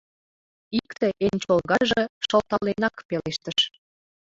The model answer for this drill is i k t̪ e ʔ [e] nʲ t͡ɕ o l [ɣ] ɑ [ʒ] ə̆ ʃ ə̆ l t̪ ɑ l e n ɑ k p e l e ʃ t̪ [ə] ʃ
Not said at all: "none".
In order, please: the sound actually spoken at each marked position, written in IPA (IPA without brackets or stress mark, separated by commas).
e, ɣ, ʒ, ə